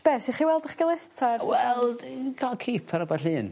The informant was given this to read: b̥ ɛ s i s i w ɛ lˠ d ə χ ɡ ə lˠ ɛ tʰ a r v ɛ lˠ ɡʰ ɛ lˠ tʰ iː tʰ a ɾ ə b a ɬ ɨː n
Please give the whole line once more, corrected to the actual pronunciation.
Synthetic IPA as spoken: b̥ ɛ s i χ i w ɛ lˠ d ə χ ɡ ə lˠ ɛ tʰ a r w ɛ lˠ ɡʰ a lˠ kʰ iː pʰ a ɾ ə b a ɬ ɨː n